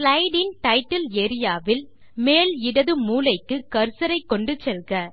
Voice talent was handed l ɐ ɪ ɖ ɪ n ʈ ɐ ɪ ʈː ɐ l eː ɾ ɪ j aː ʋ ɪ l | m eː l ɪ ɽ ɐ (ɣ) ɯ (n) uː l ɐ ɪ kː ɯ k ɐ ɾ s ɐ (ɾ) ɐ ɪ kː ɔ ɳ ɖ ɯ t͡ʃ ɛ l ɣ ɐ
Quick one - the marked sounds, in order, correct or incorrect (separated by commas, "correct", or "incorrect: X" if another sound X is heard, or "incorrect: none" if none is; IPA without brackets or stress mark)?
incorrect: ð, incorrect: m, correct